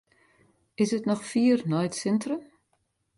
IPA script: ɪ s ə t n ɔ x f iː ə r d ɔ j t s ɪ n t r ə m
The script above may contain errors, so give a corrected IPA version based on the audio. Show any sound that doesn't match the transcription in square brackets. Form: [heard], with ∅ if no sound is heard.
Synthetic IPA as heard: ɪ s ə t n ɔ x f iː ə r [n] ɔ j t s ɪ n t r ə m